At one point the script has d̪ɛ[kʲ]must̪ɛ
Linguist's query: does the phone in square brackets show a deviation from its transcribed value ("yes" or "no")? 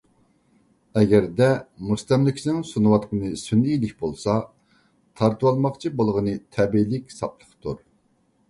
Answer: yes